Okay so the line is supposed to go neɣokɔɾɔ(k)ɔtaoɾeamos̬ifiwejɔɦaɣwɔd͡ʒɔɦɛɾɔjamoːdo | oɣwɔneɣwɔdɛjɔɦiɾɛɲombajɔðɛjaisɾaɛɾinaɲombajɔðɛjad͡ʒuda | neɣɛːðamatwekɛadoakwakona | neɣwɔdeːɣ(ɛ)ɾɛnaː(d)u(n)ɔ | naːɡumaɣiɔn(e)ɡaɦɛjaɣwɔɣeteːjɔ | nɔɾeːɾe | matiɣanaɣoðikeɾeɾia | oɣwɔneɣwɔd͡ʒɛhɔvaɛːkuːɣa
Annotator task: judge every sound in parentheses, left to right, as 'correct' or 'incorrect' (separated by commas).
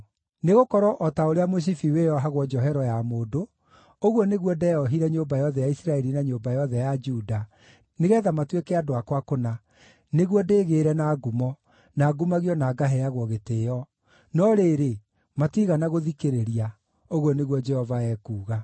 incorrect, incorrect, incorrect, incorrect, incorrect